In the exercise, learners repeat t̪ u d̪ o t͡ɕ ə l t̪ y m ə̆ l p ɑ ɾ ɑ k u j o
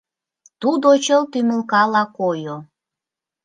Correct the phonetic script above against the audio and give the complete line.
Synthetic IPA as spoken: t̪ u d̪ o t͡ɕ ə l t̪ y m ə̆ l k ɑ l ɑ k o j o